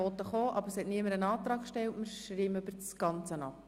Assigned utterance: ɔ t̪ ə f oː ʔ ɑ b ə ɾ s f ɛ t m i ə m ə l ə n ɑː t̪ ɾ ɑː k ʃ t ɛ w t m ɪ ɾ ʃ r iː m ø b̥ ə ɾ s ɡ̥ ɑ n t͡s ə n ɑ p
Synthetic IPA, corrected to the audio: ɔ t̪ ə χ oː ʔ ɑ b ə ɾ s h ɛ t n i ə m ə ɾ ə n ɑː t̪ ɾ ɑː k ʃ t ɛ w t m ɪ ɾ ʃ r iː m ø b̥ ə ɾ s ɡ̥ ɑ n t͡s ə n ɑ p